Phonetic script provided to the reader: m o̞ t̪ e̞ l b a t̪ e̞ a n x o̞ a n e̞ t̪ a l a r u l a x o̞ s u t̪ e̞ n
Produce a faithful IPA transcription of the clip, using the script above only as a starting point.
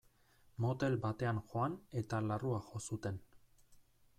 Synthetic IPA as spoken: m o̞ t̪ e̞ l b a t̪ e̞ a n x o̞ a n e̞ t̪ a l a r u a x o̞ s u t̪ e̞ n